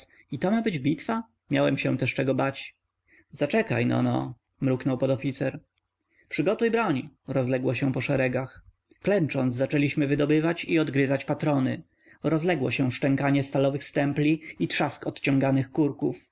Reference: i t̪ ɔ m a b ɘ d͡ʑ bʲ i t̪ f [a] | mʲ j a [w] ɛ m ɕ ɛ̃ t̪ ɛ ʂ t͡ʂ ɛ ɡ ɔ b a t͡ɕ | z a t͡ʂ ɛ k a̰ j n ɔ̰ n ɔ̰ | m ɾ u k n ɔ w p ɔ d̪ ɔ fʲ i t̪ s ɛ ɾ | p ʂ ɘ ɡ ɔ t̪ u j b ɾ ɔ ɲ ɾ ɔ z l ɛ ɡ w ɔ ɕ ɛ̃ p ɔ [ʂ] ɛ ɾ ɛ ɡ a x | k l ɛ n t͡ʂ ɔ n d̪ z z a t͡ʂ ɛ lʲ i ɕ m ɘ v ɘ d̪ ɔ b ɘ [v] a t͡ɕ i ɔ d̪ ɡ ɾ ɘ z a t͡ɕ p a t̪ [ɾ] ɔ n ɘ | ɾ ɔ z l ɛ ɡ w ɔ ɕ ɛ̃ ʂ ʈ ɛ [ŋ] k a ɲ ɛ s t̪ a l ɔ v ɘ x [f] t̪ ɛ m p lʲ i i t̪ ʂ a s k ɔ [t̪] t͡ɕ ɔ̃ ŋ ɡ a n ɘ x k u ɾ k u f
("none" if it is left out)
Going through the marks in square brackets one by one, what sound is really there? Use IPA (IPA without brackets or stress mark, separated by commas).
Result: a, w, ʂ, v, ɾ, ŋ, s, t̪